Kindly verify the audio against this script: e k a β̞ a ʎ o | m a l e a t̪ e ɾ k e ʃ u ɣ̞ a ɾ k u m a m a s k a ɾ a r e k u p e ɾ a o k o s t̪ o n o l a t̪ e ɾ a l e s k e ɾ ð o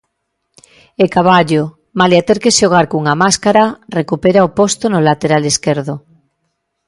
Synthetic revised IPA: e k a β̞ a ʎ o | m a l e a t̪ e ɾ k e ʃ o ɣ̞ a ɾ k u ŋ a m a s k a ɾ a r e k u p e ɾ a o p o s t̪ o n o l a t̪ e ɾ a l e s k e ɾ ð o